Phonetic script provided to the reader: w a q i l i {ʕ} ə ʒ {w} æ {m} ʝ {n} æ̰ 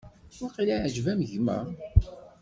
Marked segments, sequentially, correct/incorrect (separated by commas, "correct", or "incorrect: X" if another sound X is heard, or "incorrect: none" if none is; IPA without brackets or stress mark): correct, incorrect: v, correct, incorrect: m